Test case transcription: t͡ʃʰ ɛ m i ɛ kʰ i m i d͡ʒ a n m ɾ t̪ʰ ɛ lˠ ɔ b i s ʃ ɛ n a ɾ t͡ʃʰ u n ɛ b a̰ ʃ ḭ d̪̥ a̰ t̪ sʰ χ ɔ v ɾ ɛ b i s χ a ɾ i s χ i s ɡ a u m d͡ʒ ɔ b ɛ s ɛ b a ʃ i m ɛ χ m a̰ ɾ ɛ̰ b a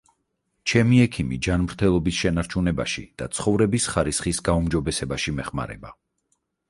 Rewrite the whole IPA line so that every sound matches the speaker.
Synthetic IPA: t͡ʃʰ ɛ m i ɛ kʰ i m i d͡ʒ a n m ɾ t̪ʰ ɛ lˠ ɔ b i s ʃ ɛ n a ɾ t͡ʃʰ u n ɛ b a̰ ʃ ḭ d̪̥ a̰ t̪ sʰ χ ɔ v ɾ ɛ b i s χ a ɾ i s χ i s ɡ a u m d͡ʒ ɔ b ɛ s ɛ b a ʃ i m ɛ χ m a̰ ɾ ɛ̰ b a